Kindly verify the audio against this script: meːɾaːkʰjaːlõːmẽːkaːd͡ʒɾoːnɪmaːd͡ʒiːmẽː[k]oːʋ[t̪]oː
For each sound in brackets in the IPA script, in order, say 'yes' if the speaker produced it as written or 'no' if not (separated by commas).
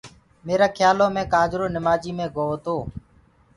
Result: no, yes